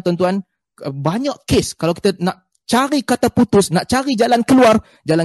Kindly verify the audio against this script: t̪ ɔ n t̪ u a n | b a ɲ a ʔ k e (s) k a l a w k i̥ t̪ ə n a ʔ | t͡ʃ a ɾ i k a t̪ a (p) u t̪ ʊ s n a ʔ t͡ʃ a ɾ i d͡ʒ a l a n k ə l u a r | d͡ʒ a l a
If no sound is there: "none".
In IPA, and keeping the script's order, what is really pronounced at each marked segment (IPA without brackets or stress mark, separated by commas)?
s, p